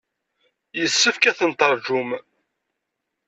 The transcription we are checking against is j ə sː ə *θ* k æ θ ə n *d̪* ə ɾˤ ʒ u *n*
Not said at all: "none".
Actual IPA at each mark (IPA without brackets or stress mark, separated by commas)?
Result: f, t̪, m